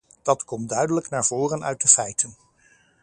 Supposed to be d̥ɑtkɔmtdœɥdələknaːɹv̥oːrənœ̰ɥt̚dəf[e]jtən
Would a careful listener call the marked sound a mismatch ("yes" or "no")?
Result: yes